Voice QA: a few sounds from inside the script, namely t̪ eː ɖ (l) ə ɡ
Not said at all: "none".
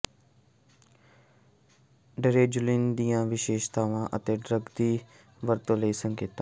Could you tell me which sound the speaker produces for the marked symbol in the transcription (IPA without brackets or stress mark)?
ɾ